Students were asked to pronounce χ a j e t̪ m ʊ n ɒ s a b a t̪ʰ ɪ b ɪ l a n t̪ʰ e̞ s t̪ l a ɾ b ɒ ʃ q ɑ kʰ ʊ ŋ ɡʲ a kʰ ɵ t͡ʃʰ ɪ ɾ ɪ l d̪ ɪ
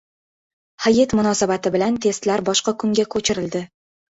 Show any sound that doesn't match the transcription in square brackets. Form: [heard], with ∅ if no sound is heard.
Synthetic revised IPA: [h] a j e t̪ m ʊ n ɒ s a b a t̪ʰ ɪ b ɪ l a n t̪ʰ e̞ s t̪ l a ɾ b ɒ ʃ q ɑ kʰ ʊ ŋ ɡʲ a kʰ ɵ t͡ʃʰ ɪ ɾ ɪ l d̪ ɪ